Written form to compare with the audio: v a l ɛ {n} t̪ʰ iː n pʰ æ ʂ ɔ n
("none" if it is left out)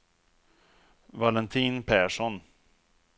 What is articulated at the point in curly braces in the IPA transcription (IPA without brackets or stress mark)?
n